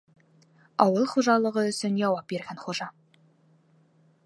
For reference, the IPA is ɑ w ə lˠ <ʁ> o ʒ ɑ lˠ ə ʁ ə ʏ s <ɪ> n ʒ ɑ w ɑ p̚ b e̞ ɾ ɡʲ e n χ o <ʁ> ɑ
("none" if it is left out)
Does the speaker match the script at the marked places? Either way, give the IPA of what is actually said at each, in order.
χ, ɪ, ʒ

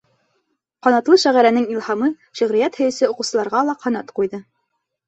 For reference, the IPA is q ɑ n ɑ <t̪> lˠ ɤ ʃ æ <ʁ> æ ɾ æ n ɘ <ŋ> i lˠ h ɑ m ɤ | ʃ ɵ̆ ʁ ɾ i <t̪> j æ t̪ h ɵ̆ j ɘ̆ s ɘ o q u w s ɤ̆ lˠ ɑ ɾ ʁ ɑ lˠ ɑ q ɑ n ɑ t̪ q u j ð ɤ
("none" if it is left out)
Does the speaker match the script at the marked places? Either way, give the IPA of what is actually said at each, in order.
t̪, ʁ, ŋ, none

